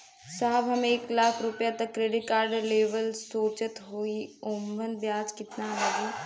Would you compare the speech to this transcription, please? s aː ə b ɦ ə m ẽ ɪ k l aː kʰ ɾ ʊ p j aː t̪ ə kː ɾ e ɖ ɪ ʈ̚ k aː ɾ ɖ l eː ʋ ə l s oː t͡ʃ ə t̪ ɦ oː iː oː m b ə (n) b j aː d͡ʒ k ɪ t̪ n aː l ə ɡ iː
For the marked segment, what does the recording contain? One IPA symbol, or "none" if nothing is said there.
n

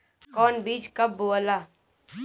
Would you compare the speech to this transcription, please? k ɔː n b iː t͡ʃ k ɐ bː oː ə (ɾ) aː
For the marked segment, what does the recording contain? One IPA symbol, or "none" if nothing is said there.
l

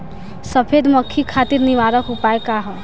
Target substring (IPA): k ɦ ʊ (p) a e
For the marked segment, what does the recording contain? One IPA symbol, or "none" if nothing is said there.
p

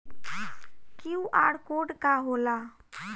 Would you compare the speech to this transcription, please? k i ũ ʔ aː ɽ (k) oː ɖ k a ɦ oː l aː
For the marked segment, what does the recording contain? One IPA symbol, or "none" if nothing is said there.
k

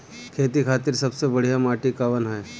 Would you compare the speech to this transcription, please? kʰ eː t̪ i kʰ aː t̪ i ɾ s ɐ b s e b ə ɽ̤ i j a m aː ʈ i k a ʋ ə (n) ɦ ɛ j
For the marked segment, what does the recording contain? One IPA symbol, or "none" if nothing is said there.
n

